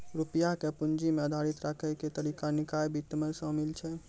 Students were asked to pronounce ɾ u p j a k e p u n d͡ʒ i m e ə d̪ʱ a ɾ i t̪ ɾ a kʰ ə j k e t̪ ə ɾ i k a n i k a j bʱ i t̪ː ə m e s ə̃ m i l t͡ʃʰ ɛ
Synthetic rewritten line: ɾ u p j a k e p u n d͡ʒ i m e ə d̪ʱ a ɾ i t̪ ɾ a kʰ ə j k e t̪ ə ɾ i k a n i k a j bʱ i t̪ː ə m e s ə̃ m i l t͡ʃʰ ɛ